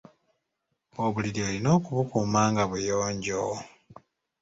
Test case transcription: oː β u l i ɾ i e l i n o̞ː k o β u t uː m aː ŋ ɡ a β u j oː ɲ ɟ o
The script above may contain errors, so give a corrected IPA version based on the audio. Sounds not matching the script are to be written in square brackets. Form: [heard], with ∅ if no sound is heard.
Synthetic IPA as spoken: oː β u l i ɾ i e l i n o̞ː k [u] β u [k] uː m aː ŋ ɡ a β u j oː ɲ ɟ o